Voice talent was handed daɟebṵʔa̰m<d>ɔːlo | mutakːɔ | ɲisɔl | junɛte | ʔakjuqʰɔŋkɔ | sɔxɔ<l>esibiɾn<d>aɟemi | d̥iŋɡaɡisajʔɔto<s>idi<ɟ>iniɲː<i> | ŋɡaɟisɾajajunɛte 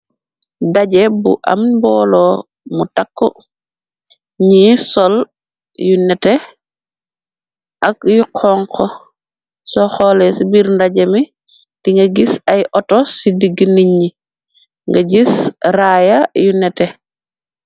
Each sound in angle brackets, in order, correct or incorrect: incorrect: b, correct, correct, correct, incorrect: ɡ, correct

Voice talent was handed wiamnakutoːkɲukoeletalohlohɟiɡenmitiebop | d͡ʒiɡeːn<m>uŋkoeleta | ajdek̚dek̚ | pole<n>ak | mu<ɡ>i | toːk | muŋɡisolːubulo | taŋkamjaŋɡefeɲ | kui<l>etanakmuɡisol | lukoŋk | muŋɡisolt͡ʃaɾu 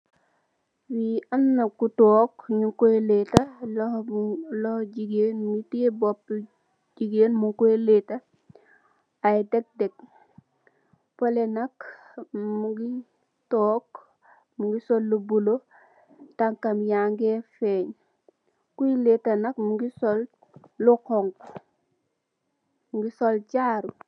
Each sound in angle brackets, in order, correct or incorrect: correct, correct, correct, correct

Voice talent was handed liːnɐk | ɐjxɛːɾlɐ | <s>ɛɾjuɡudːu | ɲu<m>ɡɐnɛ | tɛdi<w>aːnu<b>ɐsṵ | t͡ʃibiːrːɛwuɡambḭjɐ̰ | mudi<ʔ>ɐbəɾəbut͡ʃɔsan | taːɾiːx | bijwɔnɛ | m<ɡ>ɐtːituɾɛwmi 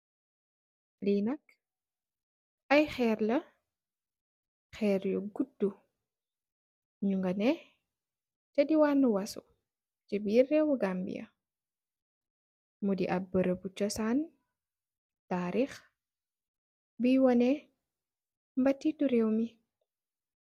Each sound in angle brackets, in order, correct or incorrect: incorrect: x, incorrect: ŋ, correct, incorrect: w, correct, incorrect: b

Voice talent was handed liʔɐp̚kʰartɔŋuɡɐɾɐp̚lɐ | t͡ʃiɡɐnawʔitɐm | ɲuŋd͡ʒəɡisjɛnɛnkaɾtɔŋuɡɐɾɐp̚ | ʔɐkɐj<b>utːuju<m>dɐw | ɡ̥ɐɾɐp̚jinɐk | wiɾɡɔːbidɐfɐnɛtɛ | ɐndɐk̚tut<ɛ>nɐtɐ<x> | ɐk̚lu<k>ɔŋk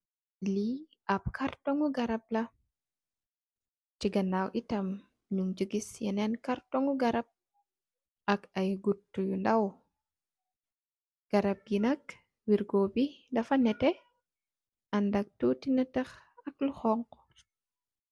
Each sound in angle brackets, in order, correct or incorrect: incorrect: ɡ, incorrect: n, incorrect: i, correct, incorrect: x

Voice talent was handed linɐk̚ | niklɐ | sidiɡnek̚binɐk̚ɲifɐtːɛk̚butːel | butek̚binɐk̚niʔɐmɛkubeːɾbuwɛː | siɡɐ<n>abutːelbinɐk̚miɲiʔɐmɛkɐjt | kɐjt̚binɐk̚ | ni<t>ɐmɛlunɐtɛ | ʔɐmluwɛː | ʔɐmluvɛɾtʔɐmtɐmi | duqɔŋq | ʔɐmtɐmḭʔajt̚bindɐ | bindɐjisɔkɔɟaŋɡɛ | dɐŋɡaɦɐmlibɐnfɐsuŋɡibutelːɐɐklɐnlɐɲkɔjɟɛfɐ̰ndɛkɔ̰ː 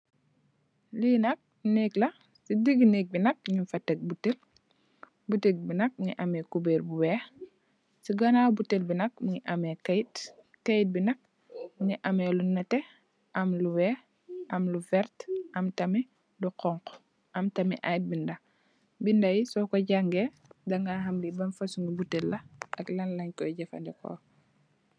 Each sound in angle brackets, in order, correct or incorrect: correct, incorrect: ʔ

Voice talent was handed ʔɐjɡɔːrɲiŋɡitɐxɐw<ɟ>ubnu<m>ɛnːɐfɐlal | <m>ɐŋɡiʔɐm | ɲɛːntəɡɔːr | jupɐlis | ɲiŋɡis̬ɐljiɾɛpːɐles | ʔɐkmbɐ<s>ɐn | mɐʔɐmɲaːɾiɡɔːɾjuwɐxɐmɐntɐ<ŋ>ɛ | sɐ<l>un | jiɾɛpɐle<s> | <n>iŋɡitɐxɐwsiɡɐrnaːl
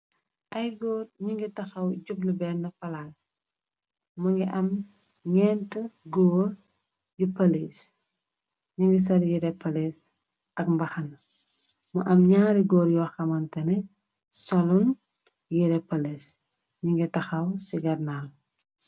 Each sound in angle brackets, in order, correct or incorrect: correct, incorrect: b, correct, incorrect: x, incorrect: n, correct, correct, incorrect: ɲ

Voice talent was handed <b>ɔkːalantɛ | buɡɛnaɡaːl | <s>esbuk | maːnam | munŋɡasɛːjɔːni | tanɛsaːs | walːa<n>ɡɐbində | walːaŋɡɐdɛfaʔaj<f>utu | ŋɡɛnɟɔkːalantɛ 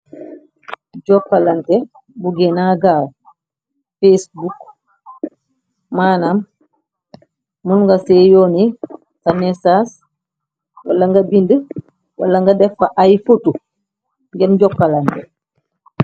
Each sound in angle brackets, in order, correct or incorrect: incorrect: ɟ, incorrect: f, incorrect: ŋ, correct

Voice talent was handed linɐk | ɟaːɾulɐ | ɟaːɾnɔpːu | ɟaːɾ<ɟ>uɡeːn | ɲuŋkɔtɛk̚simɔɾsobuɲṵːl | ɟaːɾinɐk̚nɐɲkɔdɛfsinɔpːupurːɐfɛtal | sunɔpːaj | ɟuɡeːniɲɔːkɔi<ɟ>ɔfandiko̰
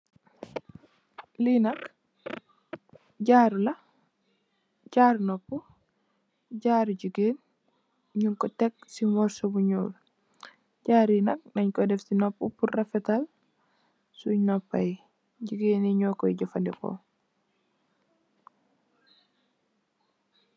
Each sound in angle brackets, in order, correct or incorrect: correct, correct

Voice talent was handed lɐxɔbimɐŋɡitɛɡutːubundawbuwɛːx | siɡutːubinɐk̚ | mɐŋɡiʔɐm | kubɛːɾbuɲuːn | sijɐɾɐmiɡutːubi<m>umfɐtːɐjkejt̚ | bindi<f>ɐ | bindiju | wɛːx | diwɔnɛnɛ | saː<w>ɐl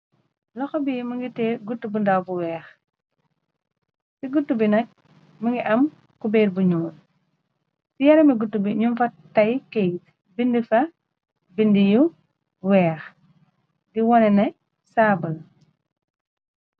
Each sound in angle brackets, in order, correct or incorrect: incorrect: ɲ, correct, incorrect: b

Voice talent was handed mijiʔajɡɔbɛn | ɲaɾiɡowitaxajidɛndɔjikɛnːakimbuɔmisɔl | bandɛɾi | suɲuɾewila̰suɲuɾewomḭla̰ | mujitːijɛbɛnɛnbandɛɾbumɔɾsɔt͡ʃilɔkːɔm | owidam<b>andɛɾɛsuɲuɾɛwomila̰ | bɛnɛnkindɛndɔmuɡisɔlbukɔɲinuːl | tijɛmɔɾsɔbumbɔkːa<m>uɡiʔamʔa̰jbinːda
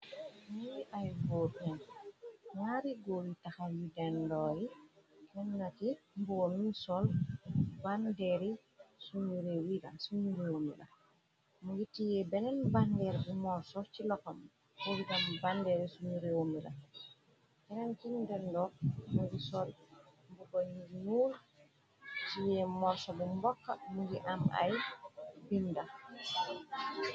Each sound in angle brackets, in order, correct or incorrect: correct, correct

